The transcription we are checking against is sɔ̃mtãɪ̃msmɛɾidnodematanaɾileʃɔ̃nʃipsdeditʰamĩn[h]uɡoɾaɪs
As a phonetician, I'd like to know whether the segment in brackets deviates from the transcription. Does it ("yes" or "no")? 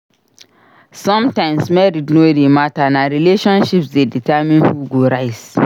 no